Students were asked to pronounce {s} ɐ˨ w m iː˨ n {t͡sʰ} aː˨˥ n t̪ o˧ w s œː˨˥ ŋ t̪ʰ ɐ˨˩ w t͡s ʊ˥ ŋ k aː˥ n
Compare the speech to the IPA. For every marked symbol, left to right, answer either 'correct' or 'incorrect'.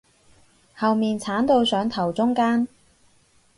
incorrect: h, correct

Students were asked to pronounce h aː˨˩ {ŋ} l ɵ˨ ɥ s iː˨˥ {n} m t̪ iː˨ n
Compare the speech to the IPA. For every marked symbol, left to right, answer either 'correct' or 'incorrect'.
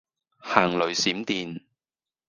correct, incorrect: none

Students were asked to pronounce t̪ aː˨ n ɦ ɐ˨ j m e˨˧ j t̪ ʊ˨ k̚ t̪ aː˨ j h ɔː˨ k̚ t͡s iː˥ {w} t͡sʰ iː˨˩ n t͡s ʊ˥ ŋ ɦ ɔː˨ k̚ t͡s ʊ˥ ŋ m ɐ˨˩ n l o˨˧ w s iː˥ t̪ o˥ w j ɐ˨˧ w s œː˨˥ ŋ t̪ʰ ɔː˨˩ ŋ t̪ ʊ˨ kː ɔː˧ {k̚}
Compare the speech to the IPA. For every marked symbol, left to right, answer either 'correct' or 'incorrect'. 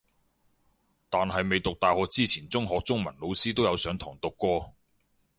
incorrect: none, incorrect: none

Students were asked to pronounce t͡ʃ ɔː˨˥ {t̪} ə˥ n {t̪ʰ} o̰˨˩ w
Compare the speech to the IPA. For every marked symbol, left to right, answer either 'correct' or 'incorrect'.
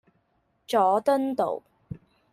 correct, incorrect: t̪

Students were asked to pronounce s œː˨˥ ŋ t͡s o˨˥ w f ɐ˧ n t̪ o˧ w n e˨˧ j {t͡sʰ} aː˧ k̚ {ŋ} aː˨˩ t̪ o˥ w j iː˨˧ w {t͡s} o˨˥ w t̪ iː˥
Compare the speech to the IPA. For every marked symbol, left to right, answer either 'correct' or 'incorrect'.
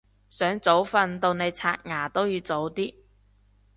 correct, correct, correct

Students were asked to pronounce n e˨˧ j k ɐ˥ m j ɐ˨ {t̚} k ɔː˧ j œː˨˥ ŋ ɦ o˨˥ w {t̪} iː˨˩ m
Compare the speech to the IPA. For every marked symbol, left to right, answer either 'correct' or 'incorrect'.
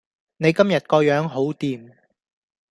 correct, correct

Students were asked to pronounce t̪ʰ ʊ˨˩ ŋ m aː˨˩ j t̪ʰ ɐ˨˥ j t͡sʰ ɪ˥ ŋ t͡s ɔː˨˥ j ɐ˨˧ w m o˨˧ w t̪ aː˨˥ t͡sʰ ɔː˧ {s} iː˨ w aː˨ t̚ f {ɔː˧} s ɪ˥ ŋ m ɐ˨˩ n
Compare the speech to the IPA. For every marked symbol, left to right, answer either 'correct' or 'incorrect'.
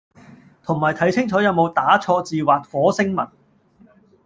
incorrect: t͡s, incorrect: ɔː˨˥

